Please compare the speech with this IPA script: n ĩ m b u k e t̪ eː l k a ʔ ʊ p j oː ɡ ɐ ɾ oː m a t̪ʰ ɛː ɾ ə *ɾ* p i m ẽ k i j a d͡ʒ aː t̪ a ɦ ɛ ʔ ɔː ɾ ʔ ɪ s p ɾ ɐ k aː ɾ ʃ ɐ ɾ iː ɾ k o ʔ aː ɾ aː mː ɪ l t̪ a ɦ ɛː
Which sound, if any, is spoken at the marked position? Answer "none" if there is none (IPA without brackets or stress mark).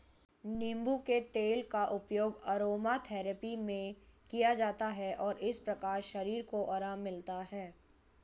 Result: none